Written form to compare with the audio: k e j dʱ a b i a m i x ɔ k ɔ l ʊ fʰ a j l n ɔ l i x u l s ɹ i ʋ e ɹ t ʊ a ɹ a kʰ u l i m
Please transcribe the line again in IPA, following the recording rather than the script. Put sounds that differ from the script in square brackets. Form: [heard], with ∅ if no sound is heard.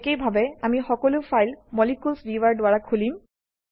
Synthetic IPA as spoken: k e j [bʱ] a b [ɛ] a m i x ɔ k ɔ l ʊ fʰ a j l [m] ɔ l i [k] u l s ɹ i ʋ [a] ɹ [d] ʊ a ɹ a kʰ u l i m

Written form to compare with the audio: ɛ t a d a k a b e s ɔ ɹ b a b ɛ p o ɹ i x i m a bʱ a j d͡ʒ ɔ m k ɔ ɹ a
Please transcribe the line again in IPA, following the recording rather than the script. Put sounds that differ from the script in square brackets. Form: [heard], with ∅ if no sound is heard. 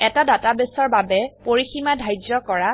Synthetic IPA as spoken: ɛ t a d a [t] a b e s ɔ ɹ b a b ɛ p o ɹ i x i m a [dʱ] a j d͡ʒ ɔ [∅] k ɔ ɹ a

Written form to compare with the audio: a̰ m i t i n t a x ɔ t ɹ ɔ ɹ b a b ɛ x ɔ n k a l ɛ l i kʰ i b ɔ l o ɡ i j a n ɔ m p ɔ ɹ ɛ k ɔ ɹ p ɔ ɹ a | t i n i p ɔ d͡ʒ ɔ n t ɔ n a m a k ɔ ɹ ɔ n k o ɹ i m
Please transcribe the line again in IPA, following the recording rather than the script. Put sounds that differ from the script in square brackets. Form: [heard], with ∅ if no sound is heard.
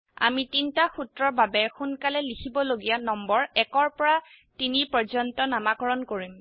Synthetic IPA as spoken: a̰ m i t i n t a x [u] t ɹ ɔ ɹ b a b ɛ x [u] n k a l ɛ l i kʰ i b ɔ l o ɡ i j a n ɔ m [b] ɔ ɹ ɛ k ɔ ɹ p ɔ ɹ a | t i n i p ɔ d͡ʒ ɔ n t ɔ n a m a k ɔ ɹ ɔ n k o ɹ i m

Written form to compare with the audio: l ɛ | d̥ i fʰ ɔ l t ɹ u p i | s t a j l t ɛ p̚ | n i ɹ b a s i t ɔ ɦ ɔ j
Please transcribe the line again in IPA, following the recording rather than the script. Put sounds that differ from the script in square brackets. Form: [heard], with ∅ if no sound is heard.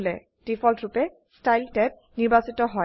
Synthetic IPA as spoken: l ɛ | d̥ i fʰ ɔ l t ɹ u p [ɛ] | s t a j l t ɛ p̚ | n i ɹ b a s i t ɔ ɦ ɔ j

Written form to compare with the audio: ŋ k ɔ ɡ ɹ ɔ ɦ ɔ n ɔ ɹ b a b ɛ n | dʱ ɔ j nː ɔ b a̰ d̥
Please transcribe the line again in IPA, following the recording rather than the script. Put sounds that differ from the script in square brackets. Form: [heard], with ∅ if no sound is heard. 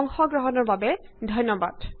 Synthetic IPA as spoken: ŋ [x] ɔ ɡ ɹ ɔ ɦ ɔ n ɔ ɹ b a b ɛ [∅] | dʱ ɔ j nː ɔ b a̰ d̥

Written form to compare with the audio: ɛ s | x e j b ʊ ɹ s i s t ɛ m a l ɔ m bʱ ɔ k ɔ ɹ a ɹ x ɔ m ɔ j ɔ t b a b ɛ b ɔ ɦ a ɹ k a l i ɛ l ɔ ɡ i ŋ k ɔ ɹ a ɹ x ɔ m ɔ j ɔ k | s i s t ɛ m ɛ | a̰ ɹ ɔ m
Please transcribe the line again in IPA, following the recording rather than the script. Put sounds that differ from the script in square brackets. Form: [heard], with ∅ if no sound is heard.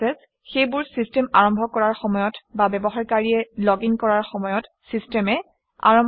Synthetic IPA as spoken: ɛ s | x e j b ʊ ɹ s i s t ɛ m a [ɹ] ɔ m bʱ ɔ k ɔ ɹ a ɹ x ɔ m ɔ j ɔ t b a b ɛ b ɔ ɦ a ɹ k a [ɹ] i ɛ l ɔ ɡ i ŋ k ɔ ɹ a ɹ x ɔ m ɔ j ɔ [t] | s i s t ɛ m ɛ | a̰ ɹ ɔ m

